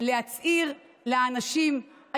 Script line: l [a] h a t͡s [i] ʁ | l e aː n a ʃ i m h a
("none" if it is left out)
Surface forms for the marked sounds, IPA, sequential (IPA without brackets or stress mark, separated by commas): e, i